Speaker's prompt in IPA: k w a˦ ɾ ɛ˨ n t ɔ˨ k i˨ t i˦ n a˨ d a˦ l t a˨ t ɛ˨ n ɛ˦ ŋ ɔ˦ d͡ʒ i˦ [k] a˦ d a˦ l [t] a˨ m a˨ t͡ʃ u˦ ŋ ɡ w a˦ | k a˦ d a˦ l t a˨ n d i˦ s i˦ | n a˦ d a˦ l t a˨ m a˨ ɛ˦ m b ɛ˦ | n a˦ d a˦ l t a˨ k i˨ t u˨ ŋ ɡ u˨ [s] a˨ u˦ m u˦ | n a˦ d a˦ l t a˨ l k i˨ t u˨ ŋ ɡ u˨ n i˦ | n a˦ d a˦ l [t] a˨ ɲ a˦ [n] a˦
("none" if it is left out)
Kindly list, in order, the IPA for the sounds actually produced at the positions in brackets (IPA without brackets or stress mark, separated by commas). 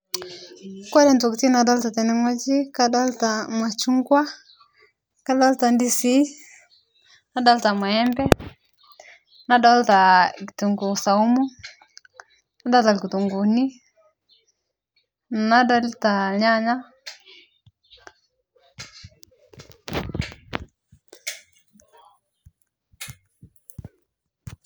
k, t, s, t, ɲ